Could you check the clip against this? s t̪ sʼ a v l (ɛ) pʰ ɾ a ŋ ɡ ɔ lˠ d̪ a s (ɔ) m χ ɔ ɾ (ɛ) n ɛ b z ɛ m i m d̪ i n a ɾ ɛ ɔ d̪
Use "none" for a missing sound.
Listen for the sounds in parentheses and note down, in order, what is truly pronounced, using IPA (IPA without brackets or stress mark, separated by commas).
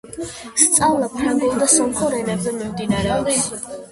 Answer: a, ɔ, ɛ